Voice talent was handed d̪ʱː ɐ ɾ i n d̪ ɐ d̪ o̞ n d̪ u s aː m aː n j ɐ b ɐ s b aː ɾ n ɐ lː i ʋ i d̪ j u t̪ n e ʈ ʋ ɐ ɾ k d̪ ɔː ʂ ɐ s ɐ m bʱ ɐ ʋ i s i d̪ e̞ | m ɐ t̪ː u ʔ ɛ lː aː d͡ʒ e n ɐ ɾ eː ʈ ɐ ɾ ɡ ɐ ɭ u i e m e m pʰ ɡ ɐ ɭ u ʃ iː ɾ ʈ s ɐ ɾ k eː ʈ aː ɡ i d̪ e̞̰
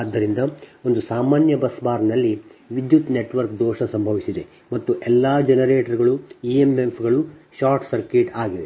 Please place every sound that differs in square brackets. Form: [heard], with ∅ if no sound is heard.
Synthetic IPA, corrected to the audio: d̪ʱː ɐ ɾ i n d̪ ɐ [∅] o̞ n d̪ u s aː m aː n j ɐ b ɐ s b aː ɾ n ɐ lː i ʋ i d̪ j u t̪ n e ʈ ʋ ɐ ɾ k d̪ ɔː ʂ ɐ s ɐ m bʱ ɐ ʋ i s i d̪ e̞ | m ɐ t̪ː u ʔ ɛ lː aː d͡ʒ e n ɐ ɾ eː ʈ ɐ ɾ ɡ ɐ ɭ u i e m e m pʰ ɡ ɐ ɭ u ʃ [aː] ɾ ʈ s ɐ ɾ k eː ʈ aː ɡ i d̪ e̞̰